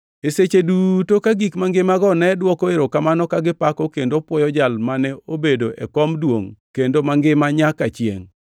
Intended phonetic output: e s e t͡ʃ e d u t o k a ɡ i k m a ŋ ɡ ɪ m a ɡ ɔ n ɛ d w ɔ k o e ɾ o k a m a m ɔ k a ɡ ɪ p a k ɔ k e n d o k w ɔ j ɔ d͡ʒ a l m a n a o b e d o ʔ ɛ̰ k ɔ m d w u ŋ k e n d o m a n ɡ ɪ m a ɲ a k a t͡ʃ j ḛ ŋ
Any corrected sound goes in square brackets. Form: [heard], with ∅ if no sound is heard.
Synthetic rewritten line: e s e t͡ʃ e d u t o k a ɡ i k m a ŋ ɡ ɪ m a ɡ ɔ n ɛ d w ɔ k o e ɾ o k a m a [n] ɔ k a ɡ ɪ p a k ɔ k e n d o [p] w ɔ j ɔ d͡ʒ a l m a n [ɛ] o b e d o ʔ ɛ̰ k ɔ m d w [o] ŋ k e n d o m a [ŋ] ɡ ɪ m a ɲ a k a t͡ʃ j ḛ ŋ